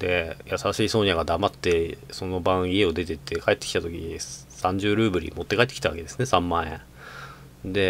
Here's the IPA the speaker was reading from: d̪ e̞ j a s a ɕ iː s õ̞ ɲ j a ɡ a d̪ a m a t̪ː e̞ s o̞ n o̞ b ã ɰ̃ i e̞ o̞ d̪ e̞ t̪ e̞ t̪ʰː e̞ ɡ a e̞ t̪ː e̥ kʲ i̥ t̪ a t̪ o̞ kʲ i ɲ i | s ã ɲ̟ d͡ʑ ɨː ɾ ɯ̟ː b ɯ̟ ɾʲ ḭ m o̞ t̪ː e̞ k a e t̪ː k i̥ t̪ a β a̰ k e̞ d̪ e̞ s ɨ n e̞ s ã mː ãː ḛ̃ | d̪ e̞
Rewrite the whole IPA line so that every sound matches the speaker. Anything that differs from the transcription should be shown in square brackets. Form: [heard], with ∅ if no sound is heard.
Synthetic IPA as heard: d̪ e̞ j a s a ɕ iː s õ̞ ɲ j a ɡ a d̪ a m a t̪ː e̞ s o̞ n o̞ b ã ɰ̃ i e̞ o̞ d̪ e̞ t̪ e̞ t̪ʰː e̞ [k] a e̞ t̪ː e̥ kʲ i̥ t̪ a t̪ o̞ kʲ i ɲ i | s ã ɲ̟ d͡ʑ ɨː ɾ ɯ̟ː b ɯ̟ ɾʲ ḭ m o̞ t̪ː e̞ k a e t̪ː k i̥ t̪ a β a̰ k e̞ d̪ e̞ s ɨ n e̞ s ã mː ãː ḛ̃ | d̪ e̞